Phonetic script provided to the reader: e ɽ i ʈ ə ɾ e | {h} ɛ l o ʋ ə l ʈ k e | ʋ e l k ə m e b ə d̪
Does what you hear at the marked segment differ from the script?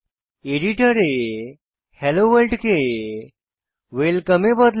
no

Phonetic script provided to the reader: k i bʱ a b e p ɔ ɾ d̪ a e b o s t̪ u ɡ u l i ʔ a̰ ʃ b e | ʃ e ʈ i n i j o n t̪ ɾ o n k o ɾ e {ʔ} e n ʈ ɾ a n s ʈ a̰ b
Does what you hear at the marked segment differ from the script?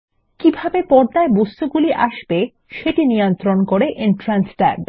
no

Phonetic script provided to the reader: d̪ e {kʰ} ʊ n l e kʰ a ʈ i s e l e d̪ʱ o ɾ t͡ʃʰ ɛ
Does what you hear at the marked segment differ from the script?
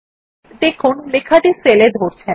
no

